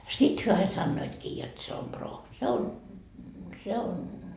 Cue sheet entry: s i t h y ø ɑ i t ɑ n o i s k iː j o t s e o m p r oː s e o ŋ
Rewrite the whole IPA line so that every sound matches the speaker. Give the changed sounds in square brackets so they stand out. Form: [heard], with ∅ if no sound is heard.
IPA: s i t h y ø ɑ i [s] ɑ [nː] o i [t] k iː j o t s e o m p r oː s e o [n]